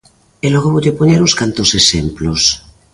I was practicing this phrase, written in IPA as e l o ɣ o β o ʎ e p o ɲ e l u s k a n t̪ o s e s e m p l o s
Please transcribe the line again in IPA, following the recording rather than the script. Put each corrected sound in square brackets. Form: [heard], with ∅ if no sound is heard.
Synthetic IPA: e l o ɣ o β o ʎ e p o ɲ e [ɾ] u s k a n t̪ o s e s e m p l o s